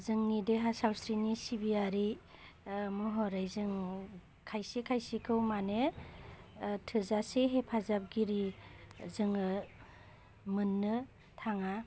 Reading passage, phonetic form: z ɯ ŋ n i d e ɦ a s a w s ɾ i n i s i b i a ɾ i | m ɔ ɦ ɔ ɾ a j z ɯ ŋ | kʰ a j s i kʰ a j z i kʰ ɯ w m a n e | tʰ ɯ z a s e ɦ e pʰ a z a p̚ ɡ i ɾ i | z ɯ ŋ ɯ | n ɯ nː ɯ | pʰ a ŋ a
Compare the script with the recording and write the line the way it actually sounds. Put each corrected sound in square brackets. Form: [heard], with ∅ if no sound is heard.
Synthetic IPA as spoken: z ɯ ŋ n i d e ɦ a s a w s ɾ i n i s i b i a ɾ i | m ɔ ɦ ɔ ɾ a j z ɯ ŋ | kʰ a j s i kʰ a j [s] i kʰ ɯ w m a n e | tʰ ɯ z a s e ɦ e pʰ a z a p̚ ɡ i ɾ i | z ɯ ŋ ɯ | [m] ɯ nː ɯ | [tʰ] a ŋ a